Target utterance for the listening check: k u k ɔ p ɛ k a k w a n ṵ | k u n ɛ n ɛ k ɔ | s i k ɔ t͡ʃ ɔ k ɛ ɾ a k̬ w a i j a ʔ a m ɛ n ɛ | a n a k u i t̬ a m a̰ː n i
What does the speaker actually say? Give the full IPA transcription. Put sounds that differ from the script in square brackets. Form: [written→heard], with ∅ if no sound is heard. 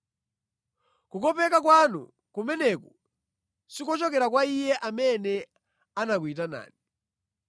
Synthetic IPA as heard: k u k ɔ p ɛ k a k w a n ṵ | k u [n→m] ɛ n ɛ k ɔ | s i k ɔ t͡ʃ ɔ k ɛ ɾ a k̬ w a i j [a→ɛ] ʔ a m ɛ n ɛ | a n a k u i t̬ a [m→n] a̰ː n i